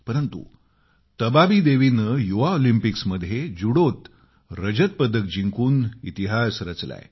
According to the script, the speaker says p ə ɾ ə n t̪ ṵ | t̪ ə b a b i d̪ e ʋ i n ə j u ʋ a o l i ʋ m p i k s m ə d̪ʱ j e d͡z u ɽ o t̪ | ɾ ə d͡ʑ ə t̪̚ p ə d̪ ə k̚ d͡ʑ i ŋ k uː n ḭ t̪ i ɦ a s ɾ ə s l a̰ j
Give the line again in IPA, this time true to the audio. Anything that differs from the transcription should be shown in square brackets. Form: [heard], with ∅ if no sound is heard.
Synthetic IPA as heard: p ə ɾ ə n t̪ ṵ | t̪ ə b a b i d̪ e ʋ i n ə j u ʋ a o l i [∅] m p i k s m ə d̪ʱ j e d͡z u ɽ o t̪ | ɾ ə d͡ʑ ə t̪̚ p ə d̪ ə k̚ d͡ʑ i ŋ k uː n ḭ t̪ i ɦ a s ɾ ə [t͡s] l a̰ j